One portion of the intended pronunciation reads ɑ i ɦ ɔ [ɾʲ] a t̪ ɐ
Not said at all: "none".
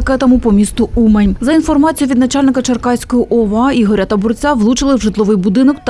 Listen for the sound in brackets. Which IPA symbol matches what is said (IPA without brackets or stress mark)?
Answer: ɾʲ